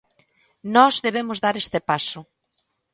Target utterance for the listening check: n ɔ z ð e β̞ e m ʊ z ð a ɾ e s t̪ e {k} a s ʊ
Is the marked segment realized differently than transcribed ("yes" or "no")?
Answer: yes